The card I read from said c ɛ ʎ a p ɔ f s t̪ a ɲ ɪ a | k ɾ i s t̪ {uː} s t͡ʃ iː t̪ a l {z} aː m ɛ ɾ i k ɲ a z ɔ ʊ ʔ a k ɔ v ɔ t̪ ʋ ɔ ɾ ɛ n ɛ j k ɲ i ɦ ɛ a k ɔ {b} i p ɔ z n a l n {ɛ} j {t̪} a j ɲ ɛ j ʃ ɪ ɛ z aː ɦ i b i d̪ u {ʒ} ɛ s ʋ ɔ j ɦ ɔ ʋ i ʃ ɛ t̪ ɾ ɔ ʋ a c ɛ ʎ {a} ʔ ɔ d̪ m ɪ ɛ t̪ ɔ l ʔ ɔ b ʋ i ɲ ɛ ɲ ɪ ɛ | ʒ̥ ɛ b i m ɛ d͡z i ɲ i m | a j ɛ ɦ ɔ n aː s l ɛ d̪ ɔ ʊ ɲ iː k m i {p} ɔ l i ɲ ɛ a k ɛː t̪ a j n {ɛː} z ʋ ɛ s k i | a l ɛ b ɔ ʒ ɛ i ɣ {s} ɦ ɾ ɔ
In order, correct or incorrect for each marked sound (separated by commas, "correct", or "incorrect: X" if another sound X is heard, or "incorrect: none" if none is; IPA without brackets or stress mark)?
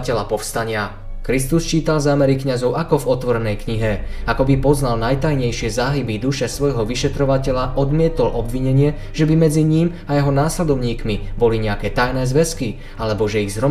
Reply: incorrect: u, correct, correct, incorrect: a, correct, incorrect: ʃ, correct, incorrect: b, correct, incorrect: z